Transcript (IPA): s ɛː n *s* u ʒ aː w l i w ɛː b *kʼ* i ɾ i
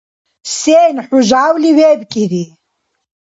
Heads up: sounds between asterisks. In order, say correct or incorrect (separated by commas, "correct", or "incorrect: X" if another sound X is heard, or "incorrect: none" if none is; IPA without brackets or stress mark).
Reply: incorrect: ħ, correct